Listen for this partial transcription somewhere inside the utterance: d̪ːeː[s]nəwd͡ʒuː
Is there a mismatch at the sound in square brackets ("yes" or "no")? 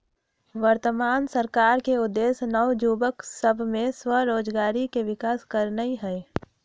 no